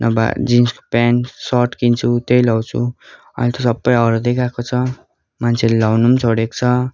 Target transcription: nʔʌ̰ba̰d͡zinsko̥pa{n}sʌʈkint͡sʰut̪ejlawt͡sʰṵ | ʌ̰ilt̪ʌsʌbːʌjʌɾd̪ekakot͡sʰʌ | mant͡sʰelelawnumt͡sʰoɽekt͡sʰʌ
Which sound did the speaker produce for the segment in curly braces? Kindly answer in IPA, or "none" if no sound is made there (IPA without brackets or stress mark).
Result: n